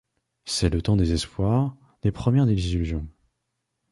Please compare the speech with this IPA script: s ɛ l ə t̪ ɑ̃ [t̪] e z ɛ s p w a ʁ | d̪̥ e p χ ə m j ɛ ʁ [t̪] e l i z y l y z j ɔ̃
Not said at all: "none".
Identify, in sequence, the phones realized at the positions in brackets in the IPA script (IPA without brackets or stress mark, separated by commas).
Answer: d̪, d̪